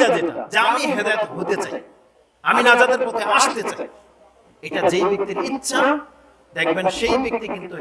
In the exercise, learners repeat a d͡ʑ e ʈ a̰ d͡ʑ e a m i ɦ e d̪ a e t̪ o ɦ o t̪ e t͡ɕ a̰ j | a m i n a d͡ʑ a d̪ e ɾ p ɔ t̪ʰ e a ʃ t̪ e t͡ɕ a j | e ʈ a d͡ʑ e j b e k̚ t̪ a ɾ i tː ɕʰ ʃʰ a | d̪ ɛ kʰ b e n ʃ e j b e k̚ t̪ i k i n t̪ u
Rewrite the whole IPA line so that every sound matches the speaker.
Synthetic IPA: a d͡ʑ e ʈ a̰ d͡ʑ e a m i ɦ e d̪ a e t̪ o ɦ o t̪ e t͡ɕ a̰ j | a m i n a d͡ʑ a d̪ e ɾ p ɔ t̪ʰ e a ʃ t̪ e t͡ɕ a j | e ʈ a d͡ʑ e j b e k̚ t̪ i ɾ i tː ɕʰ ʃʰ a | d̪ ɛ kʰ b e n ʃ e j b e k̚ t̪ i k i n t̪ u